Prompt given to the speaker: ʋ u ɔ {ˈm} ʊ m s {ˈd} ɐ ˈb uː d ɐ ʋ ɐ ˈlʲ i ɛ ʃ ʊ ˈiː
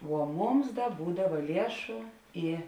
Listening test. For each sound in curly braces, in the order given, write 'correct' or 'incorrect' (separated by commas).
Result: correct, correct